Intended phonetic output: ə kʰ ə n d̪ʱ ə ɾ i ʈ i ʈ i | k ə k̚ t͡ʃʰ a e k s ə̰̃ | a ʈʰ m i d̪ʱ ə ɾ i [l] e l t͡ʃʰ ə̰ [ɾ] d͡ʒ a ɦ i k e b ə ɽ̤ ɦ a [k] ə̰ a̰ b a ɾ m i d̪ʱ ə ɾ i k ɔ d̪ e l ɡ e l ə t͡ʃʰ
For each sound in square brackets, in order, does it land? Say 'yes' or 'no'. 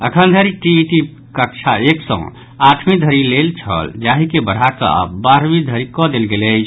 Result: yes, no, yes

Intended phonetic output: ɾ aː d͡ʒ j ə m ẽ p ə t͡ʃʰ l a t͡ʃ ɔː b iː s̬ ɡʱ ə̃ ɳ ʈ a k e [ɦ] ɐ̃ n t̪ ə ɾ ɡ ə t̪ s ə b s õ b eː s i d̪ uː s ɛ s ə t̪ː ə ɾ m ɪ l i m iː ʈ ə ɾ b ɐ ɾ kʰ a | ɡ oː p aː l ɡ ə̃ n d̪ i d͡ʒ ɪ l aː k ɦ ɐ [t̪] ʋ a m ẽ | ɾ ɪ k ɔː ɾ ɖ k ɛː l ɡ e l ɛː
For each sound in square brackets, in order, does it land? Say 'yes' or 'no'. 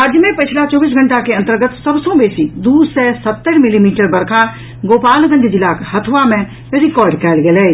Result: no, no

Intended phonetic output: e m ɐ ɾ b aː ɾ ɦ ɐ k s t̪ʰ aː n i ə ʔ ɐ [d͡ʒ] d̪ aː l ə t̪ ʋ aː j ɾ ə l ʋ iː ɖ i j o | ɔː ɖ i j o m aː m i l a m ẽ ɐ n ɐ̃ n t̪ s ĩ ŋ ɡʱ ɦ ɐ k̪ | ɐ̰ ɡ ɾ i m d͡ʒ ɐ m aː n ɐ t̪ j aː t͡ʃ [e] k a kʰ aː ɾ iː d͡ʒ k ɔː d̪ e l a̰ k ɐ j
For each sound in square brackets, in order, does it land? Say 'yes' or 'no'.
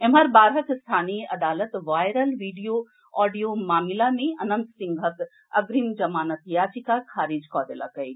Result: no, no

